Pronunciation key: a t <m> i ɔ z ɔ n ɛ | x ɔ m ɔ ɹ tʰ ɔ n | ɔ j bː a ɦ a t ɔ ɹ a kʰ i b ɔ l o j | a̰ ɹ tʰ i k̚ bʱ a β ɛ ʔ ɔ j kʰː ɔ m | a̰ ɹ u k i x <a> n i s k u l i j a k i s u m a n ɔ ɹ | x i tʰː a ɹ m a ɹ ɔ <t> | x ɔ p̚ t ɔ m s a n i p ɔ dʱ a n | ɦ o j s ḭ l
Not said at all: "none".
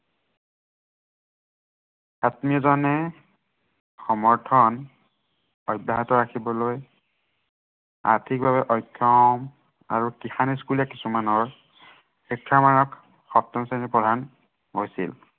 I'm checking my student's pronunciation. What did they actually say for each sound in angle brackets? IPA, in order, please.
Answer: m, a, k

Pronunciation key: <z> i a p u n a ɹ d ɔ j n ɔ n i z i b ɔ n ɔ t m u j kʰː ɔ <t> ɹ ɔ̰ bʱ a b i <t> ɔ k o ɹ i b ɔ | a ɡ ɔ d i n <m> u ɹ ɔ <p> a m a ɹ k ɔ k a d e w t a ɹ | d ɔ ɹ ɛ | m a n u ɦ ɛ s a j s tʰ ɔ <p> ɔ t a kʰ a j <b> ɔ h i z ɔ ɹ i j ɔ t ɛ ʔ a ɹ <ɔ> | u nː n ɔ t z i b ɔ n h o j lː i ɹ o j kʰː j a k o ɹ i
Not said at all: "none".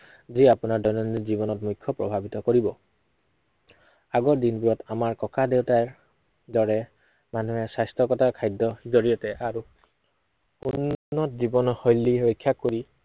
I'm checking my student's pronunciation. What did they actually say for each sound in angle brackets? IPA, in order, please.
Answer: z, p, t, b, t, k, d, u

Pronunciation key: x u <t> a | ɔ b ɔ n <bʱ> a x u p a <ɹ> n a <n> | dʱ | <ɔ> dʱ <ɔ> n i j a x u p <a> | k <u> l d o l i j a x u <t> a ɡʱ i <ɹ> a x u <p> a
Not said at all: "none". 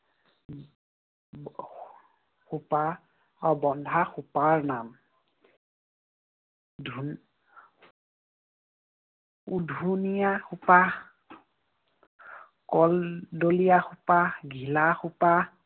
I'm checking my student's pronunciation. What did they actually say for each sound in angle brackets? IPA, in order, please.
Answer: p, dʱ, ɹ, m, u, u, a, ɔ, p, l, p

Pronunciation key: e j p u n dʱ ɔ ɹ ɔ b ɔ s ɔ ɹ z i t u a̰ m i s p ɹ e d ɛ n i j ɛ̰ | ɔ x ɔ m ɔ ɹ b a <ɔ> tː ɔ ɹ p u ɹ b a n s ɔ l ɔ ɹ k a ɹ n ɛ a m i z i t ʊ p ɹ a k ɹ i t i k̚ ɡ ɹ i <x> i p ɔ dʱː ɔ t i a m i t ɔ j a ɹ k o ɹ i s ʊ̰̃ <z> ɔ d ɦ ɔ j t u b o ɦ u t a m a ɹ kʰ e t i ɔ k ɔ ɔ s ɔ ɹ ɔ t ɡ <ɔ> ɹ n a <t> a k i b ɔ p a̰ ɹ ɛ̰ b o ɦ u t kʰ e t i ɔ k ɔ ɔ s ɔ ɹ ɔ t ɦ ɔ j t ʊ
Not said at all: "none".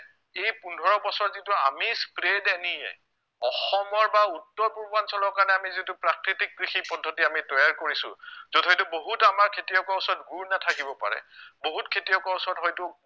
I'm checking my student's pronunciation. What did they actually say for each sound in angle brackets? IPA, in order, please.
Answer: u, x, z, u, tʰ

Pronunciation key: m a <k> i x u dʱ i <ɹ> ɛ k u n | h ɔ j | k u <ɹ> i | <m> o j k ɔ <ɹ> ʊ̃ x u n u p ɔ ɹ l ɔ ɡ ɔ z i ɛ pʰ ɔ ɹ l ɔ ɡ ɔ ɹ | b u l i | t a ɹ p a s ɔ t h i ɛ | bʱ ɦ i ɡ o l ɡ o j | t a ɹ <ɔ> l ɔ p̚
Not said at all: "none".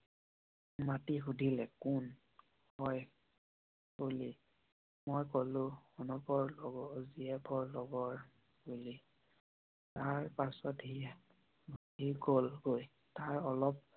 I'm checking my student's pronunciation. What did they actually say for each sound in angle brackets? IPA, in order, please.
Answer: t, l, l, m, l, ɔ

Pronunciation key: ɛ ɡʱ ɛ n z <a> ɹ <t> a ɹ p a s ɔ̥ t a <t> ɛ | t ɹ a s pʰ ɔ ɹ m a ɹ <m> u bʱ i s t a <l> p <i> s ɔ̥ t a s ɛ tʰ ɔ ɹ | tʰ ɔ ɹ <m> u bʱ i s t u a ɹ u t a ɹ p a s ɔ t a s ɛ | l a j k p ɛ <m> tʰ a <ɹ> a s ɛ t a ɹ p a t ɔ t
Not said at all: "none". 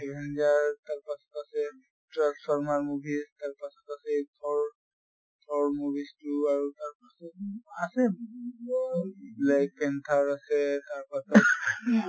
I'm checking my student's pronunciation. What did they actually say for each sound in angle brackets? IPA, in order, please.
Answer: a, t, s, m, ɹ, a, m, n, ɹ

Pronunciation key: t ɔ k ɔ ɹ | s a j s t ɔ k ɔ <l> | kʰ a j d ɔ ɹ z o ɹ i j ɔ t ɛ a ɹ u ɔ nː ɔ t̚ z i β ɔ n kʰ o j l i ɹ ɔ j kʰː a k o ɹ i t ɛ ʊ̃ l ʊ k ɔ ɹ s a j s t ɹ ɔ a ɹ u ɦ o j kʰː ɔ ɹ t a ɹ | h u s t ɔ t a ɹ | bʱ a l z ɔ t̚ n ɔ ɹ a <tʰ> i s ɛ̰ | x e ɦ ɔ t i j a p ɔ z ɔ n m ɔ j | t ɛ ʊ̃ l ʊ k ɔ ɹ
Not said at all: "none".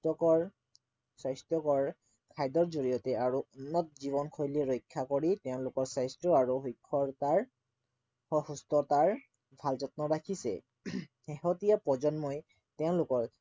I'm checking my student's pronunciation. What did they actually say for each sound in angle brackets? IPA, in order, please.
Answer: ɹ, kʰ

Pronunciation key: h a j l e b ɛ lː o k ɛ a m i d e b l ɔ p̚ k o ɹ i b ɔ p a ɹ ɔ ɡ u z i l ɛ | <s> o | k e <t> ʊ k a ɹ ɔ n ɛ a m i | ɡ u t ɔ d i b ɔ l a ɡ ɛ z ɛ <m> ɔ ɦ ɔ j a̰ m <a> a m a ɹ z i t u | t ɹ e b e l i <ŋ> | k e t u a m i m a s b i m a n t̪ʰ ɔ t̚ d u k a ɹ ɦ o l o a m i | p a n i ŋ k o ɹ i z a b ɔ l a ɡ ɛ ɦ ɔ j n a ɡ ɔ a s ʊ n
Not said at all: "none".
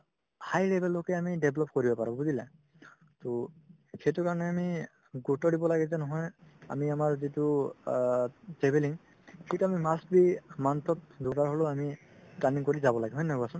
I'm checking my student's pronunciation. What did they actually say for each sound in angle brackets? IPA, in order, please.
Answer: t, t, n, i, ŋ

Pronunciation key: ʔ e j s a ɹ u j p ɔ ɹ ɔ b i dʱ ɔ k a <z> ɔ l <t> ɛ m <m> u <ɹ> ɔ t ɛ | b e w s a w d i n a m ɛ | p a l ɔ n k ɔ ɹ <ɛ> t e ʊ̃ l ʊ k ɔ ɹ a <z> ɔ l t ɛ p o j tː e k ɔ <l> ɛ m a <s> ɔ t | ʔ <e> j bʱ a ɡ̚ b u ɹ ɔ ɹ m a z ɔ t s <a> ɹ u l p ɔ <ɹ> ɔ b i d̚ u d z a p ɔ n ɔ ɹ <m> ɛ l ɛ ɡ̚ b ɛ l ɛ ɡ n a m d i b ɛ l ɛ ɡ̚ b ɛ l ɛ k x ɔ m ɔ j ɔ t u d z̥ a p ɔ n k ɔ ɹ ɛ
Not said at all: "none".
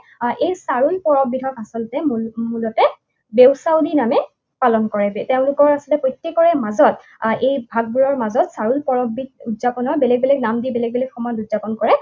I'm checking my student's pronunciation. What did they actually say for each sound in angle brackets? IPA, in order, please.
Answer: s, t, m, l, ɛ, s, ɹ, z, e, a, ɹ, b

